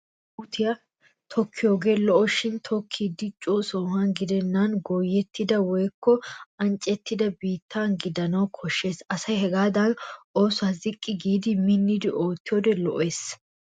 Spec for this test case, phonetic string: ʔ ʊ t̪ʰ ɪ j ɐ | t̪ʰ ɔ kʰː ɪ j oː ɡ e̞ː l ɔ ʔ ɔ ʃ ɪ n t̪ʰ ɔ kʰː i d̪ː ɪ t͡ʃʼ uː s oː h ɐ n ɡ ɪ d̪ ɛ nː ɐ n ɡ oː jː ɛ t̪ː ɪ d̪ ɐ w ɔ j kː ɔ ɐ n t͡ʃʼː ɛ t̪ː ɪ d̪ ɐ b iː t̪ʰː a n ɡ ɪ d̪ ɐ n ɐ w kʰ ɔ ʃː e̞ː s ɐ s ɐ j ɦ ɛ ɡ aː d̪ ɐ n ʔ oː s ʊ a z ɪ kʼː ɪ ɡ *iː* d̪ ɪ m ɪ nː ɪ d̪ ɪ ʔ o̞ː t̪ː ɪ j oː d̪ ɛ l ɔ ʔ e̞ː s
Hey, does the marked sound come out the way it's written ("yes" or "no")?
yes